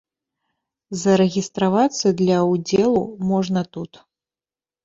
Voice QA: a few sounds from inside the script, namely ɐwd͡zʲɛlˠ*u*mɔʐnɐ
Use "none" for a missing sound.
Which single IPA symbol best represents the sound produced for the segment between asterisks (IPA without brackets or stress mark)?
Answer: u